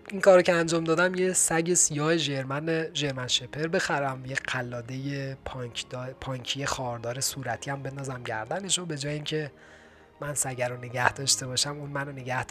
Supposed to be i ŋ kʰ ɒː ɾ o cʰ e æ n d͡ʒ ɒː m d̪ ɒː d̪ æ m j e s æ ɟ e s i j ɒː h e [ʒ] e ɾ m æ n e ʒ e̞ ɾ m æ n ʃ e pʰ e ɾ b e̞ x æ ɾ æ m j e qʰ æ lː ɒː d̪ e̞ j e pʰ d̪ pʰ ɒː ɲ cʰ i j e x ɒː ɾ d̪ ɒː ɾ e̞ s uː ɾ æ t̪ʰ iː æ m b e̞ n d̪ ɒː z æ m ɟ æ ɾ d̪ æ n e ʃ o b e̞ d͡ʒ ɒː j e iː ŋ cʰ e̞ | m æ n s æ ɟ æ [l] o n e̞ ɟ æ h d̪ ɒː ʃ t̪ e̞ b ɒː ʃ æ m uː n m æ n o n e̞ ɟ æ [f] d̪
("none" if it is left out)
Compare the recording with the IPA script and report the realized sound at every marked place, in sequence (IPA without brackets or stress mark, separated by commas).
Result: ʒ, ɾ, h